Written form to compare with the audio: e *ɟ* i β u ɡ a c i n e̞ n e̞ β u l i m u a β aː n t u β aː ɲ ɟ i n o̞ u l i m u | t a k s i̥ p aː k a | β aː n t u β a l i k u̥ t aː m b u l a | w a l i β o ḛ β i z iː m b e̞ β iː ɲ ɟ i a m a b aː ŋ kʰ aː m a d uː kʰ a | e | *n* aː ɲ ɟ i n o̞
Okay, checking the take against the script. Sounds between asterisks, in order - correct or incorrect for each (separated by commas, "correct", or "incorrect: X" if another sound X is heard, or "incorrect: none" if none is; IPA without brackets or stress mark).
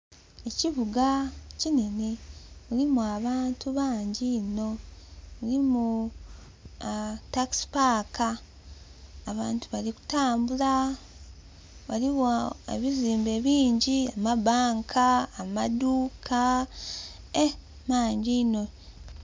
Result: incorrect: c, incorrect: m